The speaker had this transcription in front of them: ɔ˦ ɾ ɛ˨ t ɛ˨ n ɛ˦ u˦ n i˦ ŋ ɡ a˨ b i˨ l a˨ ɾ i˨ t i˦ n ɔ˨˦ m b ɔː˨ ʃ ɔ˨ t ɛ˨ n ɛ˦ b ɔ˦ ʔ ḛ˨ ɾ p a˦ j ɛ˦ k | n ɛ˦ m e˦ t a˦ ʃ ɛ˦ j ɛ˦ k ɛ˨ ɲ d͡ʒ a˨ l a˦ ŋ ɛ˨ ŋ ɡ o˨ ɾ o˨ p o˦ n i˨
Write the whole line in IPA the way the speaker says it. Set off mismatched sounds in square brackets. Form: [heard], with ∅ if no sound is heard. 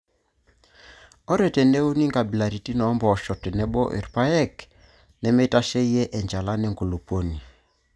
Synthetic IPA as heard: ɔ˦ ɾ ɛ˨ t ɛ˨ n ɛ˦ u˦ n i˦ ŋ ɡ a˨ b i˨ l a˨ ɾ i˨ t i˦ n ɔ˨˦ m b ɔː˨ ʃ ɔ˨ t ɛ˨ n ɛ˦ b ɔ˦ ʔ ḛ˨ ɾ p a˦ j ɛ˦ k | n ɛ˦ m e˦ t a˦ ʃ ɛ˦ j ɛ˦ [ʔ] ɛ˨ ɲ d͡ʒ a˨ l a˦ [n] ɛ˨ ŋ ɡ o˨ [l] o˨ p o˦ n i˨